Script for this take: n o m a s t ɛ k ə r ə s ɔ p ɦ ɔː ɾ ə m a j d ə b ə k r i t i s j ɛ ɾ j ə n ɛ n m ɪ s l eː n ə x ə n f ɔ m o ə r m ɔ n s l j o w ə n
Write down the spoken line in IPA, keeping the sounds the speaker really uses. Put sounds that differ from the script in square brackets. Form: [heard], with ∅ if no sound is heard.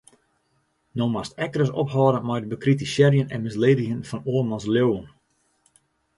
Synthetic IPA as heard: n o m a s t ɛ k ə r ə s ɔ p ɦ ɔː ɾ ə m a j d ə b ə k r i t i s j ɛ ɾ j ə n ɛ n m ɪ s l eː [d] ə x ə n f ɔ [n] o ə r m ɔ n s l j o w ə n